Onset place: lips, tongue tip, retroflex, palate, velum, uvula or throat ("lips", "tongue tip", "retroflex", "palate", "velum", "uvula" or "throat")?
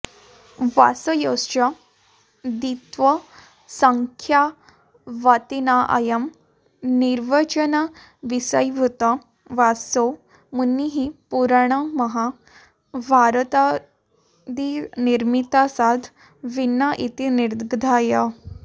lips